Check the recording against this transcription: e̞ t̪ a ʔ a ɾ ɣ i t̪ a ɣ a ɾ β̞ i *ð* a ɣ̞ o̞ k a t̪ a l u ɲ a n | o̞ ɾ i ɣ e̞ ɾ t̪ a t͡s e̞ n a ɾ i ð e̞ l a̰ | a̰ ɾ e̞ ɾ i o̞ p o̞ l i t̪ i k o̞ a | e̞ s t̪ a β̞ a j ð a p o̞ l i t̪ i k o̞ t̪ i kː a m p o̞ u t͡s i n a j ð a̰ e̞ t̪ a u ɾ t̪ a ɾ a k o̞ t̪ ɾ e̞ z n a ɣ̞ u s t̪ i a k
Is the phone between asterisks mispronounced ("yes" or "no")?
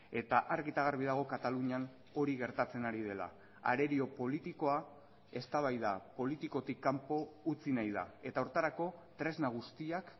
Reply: no